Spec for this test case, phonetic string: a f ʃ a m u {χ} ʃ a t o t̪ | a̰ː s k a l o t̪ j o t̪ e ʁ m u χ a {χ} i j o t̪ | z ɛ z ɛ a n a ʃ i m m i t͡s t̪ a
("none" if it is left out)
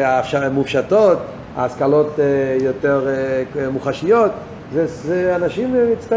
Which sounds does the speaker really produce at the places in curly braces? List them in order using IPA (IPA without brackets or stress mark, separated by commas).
f, ʃ